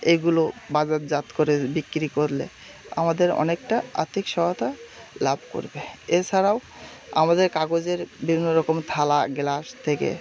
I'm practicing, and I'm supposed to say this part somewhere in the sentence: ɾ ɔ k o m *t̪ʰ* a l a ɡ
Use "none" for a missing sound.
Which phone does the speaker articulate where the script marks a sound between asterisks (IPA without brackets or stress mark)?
t̪ʰ